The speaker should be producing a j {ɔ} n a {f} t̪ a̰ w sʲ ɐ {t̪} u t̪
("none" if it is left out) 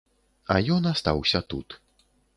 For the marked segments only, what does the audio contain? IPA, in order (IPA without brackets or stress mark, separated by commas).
ɔ, s, t̪